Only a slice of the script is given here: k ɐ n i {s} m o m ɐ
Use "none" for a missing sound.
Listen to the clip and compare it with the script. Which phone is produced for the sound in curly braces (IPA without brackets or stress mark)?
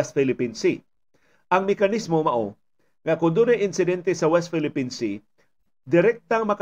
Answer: s